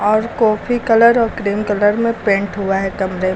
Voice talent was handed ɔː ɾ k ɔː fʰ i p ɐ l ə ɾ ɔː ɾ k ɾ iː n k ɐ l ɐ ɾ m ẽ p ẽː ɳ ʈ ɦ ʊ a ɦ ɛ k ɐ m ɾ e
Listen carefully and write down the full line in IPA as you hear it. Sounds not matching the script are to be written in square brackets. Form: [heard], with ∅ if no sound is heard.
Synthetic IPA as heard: ɔː ɾ k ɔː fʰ i [k] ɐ l ə ɾ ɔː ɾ k ɾ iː [m] k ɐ l [ə] ɾ m ẽ p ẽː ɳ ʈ ɦ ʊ a ɦ ɛ k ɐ m ɾ e